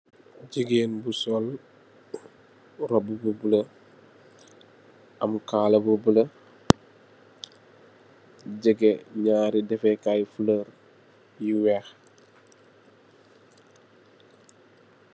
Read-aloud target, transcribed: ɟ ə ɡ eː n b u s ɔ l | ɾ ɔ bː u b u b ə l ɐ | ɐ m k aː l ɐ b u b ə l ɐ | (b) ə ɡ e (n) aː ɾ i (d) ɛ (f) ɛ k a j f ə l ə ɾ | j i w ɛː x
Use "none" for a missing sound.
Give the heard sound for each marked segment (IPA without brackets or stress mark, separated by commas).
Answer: ɟ, ɲ, d, f